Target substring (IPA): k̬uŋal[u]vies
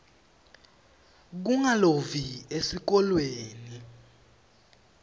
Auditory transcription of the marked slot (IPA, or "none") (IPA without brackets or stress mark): o